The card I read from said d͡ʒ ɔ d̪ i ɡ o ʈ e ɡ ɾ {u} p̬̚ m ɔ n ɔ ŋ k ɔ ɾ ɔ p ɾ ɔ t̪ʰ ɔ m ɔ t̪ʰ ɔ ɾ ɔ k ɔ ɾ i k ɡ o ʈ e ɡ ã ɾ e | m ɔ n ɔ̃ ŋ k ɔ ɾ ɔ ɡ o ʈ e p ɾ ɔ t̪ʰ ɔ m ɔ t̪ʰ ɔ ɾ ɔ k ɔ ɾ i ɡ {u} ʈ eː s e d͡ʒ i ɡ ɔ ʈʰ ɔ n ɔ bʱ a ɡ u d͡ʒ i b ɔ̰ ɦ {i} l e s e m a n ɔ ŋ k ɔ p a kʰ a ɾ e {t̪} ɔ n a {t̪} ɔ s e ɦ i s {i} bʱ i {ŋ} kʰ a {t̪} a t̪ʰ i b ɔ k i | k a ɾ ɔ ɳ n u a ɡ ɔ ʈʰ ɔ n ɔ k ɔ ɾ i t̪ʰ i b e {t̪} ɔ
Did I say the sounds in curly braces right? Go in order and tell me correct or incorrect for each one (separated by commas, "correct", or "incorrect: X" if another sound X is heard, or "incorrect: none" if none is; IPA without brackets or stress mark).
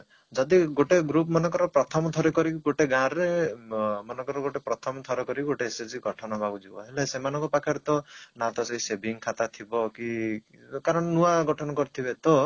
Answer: correct, incorrect: o, incorrect: e, correct, correct, incorrect: e, correct, correct, correct